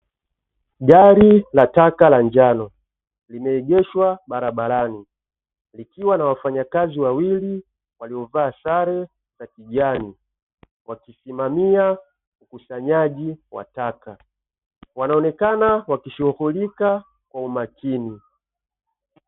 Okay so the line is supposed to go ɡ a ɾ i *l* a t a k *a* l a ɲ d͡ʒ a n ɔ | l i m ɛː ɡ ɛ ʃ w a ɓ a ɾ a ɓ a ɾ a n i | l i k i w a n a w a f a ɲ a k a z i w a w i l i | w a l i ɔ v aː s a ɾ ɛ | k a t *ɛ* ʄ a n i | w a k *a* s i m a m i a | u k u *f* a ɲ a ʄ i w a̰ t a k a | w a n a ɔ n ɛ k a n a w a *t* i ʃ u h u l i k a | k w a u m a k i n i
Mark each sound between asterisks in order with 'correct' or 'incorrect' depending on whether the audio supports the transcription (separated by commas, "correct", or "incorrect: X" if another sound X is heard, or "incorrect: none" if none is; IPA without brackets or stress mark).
correct, correct, incorrect: i, incorrect: i, incorrect: s, incorrect: k